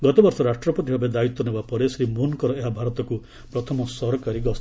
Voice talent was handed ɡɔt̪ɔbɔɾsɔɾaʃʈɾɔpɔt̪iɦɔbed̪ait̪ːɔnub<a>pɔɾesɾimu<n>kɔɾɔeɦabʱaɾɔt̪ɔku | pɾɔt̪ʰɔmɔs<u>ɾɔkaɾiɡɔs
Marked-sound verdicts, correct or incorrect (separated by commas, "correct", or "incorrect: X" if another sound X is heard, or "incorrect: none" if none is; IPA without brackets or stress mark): correct, correct, incorrect: ɔ